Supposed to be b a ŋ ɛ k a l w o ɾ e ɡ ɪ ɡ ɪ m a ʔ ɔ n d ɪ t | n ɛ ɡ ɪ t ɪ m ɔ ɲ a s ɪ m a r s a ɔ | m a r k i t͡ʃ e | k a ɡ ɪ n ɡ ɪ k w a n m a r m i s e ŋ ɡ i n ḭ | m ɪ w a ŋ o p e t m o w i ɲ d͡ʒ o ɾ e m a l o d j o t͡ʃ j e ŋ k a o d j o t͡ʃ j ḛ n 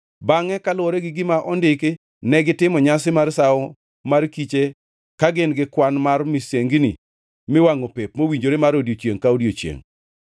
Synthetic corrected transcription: b a ŋ ɛ k a l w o ɾ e ɡ ɪ ɡ ɪ m a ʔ ɔ n d ɪ k | n ɛ ɡ ɪ t ɪ m ɔ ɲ a s ɪ m a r s a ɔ | m a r k i t͡ʃ e | k a ɡ ɪ n ɡ ɪ k w a n m a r m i s e ŋ ɡ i n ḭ | m ɪ w a ŋ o p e p m o w i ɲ d͡ʒ o ɾ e m a ɾ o d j o t͡ʃ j e ŋ k a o d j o t͡ʃ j ḛ ŋ

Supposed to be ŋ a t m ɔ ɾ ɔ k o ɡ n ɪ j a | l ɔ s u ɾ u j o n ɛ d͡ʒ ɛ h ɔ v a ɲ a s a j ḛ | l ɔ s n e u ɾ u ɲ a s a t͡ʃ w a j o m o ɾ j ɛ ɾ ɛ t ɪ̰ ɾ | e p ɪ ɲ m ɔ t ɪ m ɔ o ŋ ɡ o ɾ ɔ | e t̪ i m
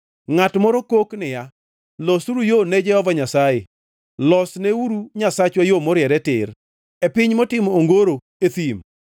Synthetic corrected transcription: ŋ a t m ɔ ɾ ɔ k o k n ɪ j a | l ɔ s u ɾ u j o n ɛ d͡ʒ ɛ h ɔ v a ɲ a s a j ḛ | l ɔ s n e u ɾ u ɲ a s a t͡ʃ w a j o m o ɾ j ɛ ɾ ɛ t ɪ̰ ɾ | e p ɪ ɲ m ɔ t ɪ m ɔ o ŋ ɡ o ɾ o | e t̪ i m

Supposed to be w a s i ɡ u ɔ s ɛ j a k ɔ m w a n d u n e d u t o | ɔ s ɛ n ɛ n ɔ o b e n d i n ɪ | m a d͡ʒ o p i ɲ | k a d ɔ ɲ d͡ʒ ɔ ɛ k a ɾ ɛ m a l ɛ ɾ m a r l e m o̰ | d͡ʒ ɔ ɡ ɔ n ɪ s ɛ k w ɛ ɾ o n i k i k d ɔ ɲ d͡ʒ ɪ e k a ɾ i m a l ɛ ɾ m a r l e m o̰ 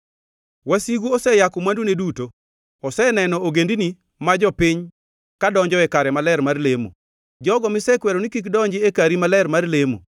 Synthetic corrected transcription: w a s i ɡ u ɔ s ɛ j a k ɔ m w a n d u n e d u t o | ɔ s ɛ n ɛ n ɔ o ɡ e n d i n i | m a d͡ʒ ɔ p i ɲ | k a d ɔ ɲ d͡ʒ ɔ ɛ k a ɾ ɛ m a l ɛ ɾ m a r l e m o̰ | d͡ʒ ɔ ɡ ɔ m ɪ s ɛ k w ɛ ɾ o n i k i k d ɔ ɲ d͡ʒ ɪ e k a ɾ i m a l ɛ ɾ m a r l e m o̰

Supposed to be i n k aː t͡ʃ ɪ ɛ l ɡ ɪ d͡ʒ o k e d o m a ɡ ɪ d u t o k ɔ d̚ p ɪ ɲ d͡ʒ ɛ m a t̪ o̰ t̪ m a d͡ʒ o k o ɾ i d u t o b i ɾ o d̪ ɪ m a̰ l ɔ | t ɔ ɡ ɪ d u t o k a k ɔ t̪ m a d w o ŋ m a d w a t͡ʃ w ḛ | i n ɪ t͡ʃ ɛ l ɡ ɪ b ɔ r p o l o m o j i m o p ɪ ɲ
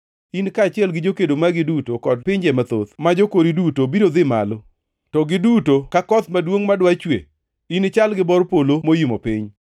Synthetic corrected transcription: i n k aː t͡ʃ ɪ ɛ l ɡ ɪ d͡ʒ o k e d o m a ɡ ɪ d u t o k ɔ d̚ p ɪ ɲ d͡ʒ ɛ m a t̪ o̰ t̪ m a d͡ʒ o k o ɾ i d u t o b i ɾ o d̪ ɪ m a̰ l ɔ | t ɔ ɡ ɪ d u t o k a k ɔ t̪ m a d w o ŋ m a d w a t͡ʃ w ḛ | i n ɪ t͡ʃ a l ɡ ɪ b ɔ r p o l o m o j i m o p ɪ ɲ

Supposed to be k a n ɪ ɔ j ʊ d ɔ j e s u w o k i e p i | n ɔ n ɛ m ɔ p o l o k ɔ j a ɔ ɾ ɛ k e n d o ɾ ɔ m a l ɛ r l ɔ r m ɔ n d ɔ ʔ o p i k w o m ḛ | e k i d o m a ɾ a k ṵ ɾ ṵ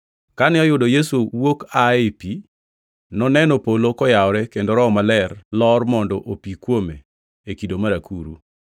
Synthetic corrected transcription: k a n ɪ ɔ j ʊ d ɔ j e s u w o k a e p i | n ɔ n ɛ n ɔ p o l o k ɔ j a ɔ ɾ ɛ k e n d o ɾ ɔ m a l ɛ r l ɔ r m ɔ n d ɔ ʔ o p i k w o m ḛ | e k i d o m a ɾ a k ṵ ɾ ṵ

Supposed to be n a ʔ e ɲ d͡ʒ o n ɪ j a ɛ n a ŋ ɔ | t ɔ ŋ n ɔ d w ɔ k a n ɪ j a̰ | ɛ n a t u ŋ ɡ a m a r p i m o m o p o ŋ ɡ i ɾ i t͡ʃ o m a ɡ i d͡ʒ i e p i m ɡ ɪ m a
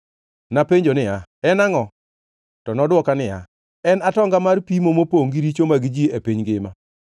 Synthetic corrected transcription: n a p e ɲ d͡ʒ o n ɪ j a ɛ n a ŋ ɔ | t ɔ n ɔ d w ɔ k a n ɪ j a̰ | ɛ n a t ɔ ŋ ɡ a m a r p i m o m o p o ŋ ɡ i ɾ i t͡ʃ o m a ɡ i d͡ʒ i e p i ɲ ɡ ɪ m a

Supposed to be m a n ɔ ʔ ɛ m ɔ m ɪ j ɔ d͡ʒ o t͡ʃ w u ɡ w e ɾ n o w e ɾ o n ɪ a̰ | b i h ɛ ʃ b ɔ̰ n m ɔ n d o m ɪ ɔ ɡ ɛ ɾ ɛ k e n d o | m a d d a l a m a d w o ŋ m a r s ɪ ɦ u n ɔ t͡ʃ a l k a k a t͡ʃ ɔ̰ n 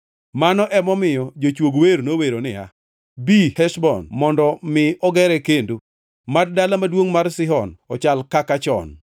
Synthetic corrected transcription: m a n ɔ ʔ ɛ m ɔ m ɪ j ɔ d͡ʒ o t͡ʃ w o ɡ w e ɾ n o w e ɾ o n ɪ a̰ | b i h ɛ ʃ b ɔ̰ n m ɔ n d ɔ m ɪ ɔ ɡ ɛ ɾ ɛ k e n d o | m a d d a l a m a d w o ŋ m a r s ɪ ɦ ɔ n ɔ t͡ʃ a l k a k a t͡ʃ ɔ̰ n

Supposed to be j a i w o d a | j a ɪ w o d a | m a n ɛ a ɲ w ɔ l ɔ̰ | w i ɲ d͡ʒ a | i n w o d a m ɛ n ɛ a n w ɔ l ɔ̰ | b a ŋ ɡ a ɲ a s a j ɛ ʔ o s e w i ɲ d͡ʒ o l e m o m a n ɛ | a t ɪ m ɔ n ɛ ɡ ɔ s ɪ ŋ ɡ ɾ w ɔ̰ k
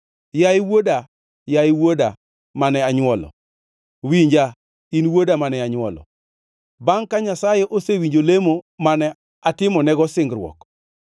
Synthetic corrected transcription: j a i w o d a | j a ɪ w o d a | m a n ɛ a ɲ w ɔ l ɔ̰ | w i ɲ d͡ʒ a | i n w o d a m a n ɛ a ɲ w ɔ l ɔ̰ | b a ŋ k a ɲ a s a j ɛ ʔ o s e w i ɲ d͡ʒ o l e m o m a n ɛ | a t ɪ m ɔ n ɛ ɡ ɔ s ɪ ŋ ɡ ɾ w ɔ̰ k

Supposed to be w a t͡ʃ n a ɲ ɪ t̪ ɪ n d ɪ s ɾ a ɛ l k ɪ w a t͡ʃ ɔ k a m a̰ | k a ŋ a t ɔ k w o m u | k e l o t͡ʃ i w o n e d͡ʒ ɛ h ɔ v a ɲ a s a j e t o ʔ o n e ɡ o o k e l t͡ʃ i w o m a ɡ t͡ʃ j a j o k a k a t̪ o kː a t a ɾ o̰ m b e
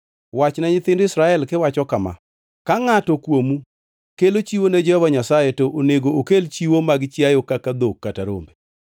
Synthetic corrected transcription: w a t͡ʃ n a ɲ ɪ t̪ ɪ n d ɪ s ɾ a ɛ l k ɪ w a t͡ʃ ɔ k a m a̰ | k a ŋ a t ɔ k w o m u | k e l o t͡ʃ i w o n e d͡ʒ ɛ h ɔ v a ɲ a s a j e t o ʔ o n e ɡ o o k e l t͡ʃ i w o m a ɡ t͡ʃ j a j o k a k a d̪ o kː a t a ɾ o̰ m b e

